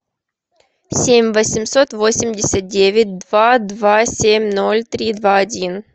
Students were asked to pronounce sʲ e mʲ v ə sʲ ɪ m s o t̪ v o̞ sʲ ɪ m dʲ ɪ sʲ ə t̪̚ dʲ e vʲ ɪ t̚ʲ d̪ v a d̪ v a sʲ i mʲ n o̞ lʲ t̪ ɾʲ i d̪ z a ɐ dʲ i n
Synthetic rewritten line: sʲ e mʲ v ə sʲ ɪ m s o t̪ v o̞ sʲ ɪ m dʲ ɪ sʲ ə t̪̚ dʲ e vʲ ɪ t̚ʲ d̪ v a d̪ v a sʲ e mʲ n o̞ lʲ t̪ ɾʲ i d̪ v a ɐ dʲ i n